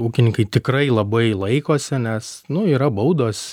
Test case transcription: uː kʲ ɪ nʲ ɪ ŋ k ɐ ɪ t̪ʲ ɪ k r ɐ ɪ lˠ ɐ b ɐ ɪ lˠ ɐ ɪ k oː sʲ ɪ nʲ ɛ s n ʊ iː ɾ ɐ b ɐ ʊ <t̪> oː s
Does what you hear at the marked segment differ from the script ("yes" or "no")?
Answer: yes